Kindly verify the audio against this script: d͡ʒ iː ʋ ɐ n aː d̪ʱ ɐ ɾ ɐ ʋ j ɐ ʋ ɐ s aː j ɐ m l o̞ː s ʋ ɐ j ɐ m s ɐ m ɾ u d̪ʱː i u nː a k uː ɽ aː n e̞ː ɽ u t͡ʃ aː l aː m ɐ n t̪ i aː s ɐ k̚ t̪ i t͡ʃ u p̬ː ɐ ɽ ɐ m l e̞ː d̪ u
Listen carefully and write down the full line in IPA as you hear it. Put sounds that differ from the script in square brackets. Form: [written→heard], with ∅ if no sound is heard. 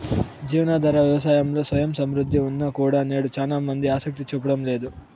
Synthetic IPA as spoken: d͡ʒ iː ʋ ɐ n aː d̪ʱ ɐ ɾ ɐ ʋ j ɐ ʋ ɐ s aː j ɐ m l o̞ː s ʋ ɐ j ɐ m s ɐ m ɾ u d̪ʱː i u nː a k uː ɽ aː n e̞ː ɽ u t͡ʃ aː l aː m ɐ n [t̪→d̪] i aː s ɐ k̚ t̪ i t͡ʃ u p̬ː ɐ ɽ ɐ m l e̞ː d̪ u